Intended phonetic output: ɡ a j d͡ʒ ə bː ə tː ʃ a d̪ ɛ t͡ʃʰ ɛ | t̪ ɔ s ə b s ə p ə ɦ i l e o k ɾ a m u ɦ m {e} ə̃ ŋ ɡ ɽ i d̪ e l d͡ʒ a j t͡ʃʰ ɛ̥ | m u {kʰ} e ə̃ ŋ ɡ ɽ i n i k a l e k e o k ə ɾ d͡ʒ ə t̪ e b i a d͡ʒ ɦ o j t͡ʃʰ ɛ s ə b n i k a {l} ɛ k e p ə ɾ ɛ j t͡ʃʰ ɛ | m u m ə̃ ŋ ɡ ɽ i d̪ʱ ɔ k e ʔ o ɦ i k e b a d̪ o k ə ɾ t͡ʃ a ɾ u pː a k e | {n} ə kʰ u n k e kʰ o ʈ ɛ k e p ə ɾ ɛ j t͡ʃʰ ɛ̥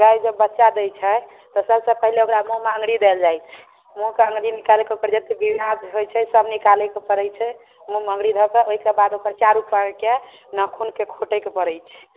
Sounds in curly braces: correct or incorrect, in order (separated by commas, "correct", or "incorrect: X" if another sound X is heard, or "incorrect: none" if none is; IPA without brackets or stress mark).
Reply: correct, incorrect: k, correct, correct